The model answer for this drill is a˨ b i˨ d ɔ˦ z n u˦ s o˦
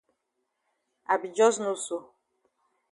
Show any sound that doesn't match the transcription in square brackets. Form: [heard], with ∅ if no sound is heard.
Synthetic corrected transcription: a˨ b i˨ [d͡ʒ] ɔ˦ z n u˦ s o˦

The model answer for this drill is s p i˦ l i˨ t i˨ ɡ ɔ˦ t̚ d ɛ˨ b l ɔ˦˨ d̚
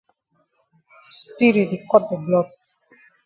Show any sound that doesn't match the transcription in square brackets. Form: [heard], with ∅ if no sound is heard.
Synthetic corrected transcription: s p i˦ [ɾ] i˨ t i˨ [k] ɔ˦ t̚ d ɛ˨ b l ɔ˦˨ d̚

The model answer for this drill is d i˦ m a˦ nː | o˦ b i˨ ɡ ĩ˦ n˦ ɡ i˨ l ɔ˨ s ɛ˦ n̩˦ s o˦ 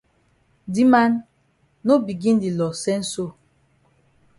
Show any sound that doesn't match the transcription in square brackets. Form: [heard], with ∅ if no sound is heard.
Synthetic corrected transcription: d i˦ m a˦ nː | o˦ b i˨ ɡ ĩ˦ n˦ [d] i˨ l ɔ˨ s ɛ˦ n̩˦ s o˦

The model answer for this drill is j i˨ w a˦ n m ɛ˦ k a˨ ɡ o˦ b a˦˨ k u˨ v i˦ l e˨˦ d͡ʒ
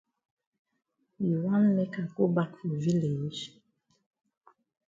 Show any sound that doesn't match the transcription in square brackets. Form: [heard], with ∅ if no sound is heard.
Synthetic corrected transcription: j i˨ w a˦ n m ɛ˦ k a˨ [k] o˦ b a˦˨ k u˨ v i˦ l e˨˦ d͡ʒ

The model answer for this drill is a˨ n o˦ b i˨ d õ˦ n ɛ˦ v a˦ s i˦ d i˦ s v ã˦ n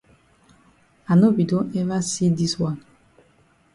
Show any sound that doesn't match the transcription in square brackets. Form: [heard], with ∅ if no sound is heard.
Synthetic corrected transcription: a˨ n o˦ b i˨ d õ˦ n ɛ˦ v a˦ s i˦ d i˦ s [w] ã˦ n

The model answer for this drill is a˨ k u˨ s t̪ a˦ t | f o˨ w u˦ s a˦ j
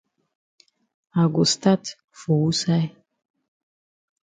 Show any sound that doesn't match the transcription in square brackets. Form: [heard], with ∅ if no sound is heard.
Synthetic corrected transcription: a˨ [ɡ] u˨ s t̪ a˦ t | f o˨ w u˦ s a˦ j

